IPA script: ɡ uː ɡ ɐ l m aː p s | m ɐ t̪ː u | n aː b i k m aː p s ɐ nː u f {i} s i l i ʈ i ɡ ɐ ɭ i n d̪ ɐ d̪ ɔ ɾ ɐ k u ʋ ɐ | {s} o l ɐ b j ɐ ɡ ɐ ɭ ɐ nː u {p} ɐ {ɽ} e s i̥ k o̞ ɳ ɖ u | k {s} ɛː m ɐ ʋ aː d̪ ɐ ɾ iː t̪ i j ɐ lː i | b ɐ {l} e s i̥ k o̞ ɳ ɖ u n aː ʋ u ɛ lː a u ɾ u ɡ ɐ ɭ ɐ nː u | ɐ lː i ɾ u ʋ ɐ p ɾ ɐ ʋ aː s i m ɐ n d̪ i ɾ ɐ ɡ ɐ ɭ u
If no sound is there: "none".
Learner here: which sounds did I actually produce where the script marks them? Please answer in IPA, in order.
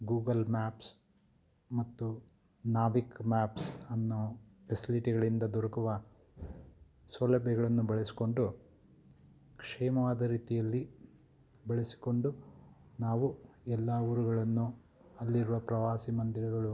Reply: e, s, b, ɭ, ʂ, ɭ

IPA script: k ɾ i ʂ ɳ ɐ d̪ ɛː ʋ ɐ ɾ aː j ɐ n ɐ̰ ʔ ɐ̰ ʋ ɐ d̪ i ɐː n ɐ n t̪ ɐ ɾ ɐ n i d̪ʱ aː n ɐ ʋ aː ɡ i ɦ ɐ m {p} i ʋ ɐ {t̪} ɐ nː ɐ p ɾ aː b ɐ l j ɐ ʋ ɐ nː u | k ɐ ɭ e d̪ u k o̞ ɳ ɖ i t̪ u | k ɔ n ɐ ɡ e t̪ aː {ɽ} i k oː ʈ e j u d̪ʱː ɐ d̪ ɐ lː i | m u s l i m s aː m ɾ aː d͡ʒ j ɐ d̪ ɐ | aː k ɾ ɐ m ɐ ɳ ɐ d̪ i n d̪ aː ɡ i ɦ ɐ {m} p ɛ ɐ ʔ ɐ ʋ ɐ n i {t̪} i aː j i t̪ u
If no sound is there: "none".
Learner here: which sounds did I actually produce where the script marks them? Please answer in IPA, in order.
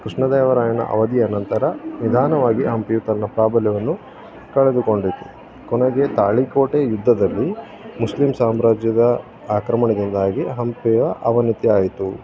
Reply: p, t̪, ɭ, m, t̪

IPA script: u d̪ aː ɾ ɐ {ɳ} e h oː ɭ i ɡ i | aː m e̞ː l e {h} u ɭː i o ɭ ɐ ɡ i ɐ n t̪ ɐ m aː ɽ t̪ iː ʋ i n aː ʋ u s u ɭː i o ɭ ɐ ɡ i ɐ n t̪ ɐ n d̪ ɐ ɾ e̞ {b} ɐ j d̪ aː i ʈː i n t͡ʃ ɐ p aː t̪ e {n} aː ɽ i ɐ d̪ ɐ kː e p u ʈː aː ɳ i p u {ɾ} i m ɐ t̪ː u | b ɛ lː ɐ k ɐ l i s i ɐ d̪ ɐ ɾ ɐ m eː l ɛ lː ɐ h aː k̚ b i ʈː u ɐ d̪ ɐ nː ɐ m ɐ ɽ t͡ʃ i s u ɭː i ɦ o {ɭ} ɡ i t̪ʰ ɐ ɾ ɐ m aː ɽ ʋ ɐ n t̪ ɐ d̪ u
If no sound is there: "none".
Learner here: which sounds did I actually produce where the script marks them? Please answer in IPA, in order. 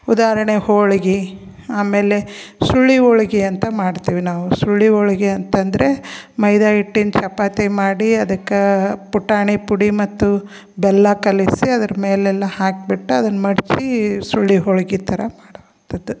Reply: ɳ, s, m, m, ɽ, ɭ

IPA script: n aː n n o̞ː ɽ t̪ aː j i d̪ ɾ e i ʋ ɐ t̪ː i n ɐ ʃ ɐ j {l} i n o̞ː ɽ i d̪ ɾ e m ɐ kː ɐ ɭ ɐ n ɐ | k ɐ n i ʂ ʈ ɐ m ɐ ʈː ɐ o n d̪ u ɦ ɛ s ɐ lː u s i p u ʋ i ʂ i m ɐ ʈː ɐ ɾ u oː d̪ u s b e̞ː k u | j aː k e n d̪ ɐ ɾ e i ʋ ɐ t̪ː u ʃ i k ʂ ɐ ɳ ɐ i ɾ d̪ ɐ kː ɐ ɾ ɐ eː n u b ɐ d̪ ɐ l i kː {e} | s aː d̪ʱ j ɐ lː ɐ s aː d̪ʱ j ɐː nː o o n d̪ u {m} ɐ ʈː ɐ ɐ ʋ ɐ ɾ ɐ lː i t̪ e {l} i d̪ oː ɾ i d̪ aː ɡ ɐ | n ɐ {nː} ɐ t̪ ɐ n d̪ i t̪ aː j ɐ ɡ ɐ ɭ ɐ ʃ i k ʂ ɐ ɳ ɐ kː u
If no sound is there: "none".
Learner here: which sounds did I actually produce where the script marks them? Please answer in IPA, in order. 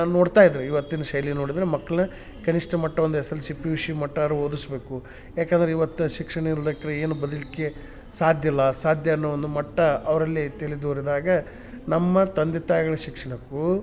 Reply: l, e, m, l, mː

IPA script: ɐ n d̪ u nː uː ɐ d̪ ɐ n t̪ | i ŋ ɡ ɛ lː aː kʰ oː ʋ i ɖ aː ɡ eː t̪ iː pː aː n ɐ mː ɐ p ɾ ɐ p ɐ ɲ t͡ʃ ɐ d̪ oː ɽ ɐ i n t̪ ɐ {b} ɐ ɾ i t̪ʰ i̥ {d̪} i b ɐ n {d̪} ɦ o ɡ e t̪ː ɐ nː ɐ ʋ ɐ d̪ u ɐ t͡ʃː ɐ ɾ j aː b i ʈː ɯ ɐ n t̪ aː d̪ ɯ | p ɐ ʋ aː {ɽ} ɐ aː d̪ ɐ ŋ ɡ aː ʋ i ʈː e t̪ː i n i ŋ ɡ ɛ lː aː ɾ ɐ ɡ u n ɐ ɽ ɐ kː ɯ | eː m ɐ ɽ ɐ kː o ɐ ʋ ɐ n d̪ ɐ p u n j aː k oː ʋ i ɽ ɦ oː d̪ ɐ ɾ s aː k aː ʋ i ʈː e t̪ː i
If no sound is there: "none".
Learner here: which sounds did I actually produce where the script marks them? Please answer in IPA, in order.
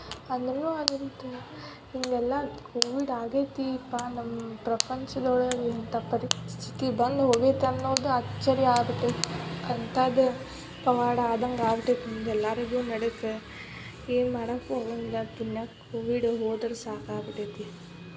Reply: p, t̪, d̪, ɽ

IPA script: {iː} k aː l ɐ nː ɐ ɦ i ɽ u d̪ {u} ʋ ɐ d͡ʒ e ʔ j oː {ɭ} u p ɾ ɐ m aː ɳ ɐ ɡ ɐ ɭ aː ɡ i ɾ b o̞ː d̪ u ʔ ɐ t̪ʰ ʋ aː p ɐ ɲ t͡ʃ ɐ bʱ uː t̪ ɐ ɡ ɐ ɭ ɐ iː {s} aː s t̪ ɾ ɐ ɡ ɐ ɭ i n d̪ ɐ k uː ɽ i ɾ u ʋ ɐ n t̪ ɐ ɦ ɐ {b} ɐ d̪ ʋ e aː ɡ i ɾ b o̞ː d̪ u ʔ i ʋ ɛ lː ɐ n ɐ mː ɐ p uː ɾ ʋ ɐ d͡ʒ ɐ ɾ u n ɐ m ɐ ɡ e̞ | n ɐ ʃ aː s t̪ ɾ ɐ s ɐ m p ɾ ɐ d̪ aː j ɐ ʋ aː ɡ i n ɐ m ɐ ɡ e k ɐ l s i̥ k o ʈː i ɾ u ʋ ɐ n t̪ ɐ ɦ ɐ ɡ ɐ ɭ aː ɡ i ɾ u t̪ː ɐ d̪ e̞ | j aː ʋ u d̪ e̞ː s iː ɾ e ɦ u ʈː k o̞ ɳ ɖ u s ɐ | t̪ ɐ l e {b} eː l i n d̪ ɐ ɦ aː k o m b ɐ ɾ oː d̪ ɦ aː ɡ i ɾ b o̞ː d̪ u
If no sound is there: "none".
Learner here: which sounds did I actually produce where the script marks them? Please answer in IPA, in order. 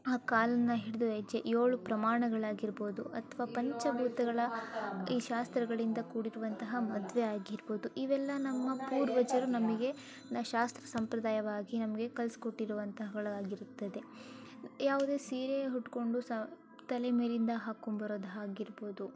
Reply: aː, u, ɭ, ʃ, m, m

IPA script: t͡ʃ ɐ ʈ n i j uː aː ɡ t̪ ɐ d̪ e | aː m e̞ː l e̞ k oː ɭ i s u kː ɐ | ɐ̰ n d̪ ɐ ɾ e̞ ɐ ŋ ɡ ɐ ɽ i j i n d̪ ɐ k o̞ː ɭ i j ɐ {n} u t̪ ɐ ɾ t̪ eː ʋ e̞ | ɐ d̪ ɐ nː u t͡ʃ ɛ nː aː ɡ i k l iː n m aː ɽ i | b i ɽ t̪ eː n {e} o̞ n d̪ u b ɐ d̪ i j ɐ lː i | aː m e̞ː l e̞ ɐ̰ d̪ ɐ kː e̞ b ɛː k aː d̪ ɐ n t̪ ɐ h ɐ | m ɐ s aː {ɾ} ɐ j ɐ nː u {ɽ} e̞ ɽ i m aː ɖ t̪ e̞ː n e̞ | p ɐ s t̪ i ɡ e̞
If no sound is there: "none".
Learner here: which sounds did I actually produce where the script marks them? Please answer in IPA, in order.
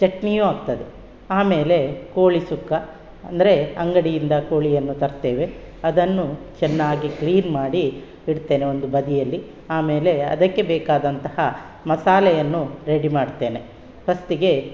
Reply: nː, e, l, ɾ

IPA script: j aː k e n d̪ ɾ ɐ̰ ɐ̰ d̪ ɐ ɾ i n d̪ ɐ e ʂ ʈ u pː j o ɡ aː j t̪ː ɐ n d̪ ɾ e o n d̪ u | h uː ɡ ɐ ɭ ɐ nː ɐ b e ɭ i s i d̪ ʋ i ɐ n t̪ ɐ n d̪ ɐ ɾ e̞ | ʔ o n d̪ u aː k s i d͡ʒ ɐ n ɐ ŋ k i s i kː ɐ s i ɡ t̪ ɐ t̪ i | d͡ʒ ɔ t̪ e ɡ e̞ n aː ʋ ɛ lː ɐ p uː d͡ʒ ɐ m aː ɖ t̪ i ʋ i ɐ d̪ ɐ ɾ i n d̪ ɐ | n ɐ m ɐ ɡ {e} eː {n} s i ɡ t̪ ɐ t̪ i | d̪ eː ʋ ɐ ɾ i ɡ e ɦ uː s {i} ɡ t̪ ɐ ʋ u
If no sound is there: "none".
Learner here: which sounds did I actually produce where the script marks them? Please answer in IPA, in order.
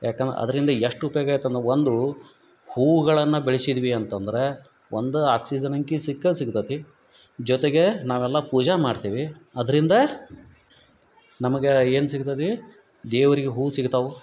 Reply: e, n, i

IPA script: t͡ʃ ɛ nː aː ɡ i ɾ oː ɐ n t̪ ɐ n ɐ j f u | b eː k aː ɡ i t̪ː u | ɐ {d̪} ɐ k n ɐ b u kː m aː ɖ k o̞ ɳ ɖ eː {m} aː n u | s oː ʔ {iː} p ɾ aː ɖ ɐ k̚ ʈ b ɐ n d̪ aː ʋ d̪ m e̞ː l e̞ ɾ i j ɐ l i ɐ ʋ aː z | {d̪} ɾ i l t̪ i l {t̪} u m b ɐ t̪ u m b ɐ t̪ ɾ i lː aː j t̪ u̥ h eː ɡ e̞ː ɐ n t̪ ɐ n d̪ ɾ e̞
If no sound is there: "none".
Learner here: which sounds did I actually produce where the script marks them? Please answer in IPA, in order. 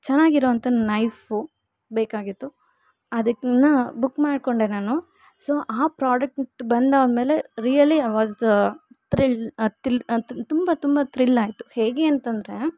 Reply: d̪, n, aː, t̪, t̪

